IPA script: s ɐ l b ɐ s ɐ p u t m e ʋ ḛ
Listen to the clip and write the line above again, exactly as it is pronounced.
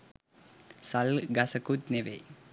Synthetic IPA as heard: s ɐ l ɡ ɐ s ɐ k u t n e ʋ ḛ